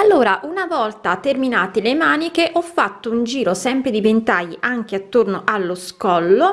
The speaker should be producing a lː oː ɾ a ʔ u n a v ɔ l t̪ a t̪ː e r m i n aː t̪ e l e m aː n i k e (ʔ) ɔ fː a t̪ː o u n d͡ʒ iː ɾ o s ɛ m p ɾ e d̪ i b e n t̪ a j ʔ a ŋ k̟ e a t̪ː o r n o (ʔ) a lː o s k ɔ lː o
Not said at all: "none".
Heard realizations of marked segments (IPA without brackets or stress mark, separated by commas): ʔ, ʔ